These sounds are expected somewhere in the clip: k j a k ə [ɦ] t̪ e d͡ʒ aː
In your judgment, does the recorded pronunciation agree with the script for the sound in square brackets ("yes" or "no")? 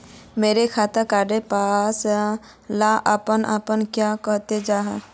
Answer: yes